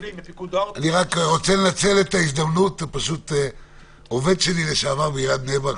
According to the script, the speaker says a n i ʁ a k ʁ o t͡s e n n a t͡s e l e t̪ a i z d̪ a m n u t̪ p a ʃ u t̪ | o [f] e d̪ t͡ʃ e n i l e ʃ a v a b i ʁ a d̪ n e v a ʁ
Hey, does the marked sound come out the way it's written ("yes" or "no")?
no